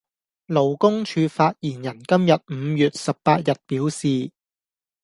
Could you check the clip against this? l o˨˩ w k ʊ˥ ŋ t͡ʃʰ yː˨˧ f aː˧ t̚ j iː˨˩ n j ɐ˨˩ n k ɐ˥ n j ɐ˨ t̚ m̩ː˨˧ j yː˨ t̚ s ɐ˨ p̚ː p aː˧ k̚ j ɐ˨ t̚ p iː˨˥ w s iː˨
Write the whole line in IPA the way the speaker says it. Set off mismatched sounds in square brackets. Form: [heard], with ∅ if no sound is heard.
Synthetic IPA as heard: l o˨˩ w k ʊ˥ ŋ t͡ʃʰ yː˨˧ f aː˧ t̚ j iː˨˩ n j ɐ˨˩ n k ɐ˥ [m] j ɐ˨ t̚ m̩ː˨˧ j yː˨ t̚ s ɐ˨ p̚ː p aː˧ [t̚] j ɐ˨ t̚ p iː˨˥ w s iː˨